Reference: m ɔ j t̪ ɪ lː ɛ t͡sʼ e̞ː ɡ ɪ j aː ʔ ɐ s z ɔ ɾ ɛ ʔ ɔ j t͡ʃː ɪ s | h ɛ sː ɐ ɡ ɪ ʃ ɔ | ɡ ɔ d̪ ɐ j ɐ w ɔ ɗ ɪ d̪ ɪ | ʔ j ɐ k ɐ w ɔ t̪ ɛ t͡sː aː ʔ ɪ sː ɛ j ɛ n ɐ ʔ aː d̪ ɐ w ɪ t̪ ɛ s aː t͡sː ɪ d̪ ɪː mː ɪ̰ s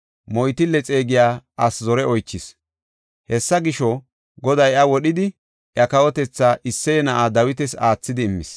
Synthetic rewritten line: m ɔ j t̪ ɪ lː ɛ t͡sʼ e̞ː ɡ ɪ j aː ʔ ɐ s z ɔ ɾ ɛ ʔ ɔ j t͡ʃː ɪ s | h ɛ sː ɐ ɡ ɪ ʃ ɔ | ɡ ɔ d̪ ɐ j ɐ w ɔ ɗ ɪ d̪ ɪ | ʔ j ɐ k ɐ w ɔ t̪ ɛ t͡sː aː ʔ ɪ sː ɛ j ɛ n ɐ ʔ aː d̪ ɐ w ɪ t̪ ɛ s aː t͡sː ɪ d̪ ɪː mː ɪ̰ s